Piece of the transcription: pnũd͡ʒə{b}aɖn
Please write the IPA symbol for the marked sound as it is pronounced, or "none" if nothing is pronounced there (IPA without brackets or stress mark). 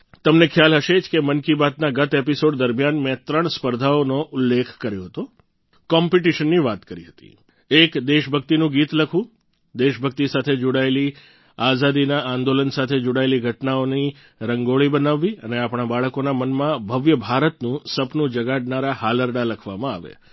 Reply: ɡ